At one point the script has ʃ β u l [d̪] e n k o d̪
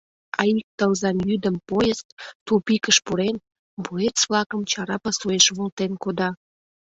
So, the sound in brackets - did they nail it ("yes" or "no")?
no